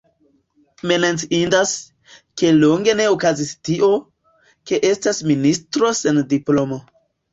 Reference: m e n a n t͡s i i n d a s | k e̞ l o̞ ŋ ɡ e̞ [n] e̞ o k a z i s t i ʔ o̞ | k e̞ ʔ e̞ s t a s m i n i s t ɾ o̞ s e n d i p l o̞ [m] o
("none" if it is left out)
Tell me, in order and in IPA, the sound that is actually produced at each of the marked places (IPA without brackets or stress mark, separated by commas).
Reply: n, m